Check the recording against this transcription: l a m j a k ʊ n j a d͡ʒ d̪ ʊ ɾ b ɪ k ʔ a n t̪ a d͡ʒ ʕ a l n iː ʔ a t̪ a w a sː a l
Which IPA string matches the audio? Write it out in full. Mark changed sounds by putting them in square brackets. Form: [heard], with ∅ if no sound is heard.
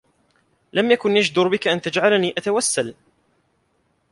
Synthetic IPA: l a m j a k ʊ n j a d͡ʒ d̪ ʊ ɾ b ɪ k ʔ a n t̪ a d͡ʒ ʕ a l n iː ʔ a t̪ a w a sː a l